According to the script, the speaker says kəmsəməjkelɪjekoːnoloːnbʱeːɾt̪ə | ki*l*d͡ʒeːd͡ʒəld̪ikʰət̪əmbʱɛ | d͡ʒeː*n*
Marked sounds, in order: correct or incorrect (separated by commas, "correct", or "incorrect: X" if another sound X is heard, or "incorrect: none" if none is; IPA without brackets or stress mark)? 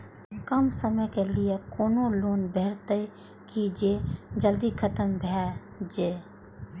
incorrect: none, incorrect: none